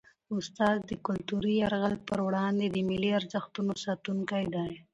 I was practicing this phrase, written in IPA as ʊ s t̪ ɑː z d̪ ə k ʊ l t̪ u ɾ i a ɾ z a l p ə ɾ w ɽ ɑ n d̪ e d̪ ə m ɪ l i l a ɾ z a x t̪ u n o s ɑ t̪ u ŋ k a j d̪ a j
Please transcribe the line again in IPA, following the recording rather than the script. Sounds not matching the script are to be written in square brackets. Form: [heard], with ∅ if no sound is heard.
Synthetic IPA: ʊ s t̪ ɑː z d̪ ə k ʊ l t̪ u ɾ i a ɾ [ɣ] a l p ə ɾ w ɽ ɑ n d̪ e d̪ ə m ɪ l i [∅] a ɾ z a x t̪ u n o s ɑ t̪ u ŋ k a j d̪ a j